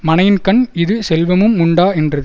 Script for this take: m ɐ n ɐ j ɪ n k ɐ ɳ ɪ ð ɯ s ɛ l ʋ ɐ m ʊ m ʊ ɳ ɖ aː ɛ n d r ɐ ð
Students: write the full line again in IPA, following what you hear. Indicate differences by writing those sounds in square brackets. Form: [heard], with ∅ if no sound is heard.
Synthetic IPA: m ɐ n ɐ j ɪ n k ɐ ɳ ɪ ð ɯ s ɛ l ʋ ɐ m [ɯ] m ʊ ɳ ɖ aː ɛ n d r ɐ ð